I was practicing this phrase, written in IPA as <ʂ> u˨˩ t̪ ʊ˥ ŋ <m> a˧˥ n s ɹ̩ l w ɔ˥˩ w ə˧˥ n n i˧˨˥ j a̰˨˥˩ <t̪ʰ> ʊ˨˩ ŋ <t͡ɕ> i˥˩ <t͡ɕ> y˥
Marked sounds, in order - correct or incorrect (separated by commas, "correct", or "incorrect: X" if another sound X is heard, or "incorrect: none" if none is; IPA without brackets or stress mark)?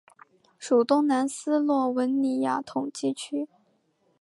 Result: correct, incorrect: n, correct, correct, incorrect: t͡ɕʰ